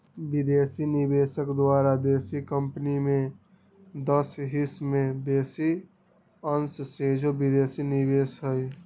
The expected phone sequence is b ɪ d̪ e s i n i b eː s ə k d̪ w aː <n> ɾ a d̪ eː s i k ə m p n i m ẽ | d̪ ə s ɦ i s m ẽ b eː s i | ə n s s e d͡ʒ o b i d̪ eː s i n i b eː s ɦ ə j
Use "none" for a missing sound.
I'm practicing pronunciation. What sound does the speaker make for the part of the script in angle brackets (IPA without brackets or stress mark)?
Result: none